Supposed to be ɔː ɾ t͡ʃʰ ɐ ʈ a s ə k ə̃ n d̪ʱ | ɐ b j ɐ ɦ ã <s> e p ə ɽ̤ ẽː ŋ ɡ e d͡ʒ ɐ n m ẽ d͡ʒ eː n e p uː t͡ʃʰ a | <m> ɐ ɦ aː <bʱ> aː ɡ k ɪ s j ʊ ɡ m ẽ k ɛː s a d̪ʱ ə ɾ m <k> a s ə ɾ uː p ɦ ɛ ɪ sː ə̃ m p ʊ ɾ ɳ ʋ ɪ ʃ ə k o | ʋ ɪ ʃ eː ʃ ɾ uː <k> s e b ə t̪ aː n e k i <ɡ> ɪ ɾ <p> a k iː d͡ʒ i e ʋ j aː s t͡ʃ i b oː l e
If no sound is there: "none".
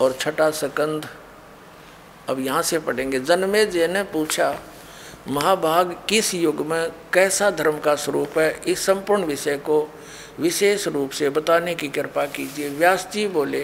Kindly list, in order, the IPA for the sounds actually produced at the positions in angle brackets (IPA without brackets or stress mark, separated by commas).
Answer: s, m, bʱ, k, p, k, p